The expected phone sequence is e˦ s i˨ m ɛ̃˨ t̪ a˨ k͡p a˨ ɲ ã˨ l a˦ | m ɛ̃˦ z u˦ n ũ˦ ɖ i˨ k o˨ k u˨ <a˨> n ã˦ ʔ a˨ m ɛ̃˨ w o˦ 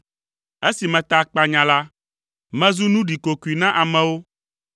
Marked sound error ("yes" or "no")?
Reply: yes